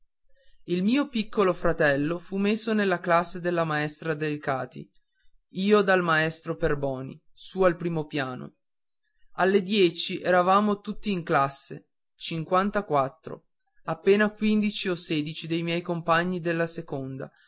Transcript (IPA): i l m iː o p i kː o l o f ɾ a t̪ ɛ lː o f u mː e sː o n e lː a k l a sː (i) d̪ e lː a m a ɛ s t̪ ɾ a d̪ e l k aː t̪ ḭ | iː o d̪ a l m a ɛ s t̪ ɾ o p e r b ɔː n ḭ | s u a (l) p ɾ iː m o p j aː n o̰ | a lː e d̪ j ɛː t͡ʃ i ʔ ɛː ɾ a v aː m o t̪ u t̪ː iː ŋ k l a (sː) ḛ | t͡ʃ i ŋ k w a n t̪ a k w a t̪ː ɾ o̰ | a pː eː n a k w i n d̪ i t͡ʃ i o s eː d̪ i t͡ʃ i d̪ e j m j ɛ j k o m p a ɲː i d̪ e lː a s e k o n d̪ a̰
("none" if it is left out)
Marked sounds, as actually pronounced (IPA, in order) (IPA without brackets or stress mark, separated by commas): e, l, sː